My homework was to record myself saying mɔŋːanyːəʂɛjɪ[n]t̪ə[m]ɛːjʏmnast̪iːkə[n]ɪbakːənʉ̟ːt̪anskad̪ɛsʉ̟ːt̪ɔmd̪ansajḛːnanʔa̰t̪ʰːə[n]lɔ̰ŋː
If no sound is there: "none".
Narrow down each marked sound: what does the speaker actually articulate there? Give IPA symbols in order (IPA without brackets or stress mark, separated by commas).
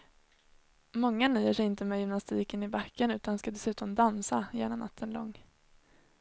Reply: n, m, n, n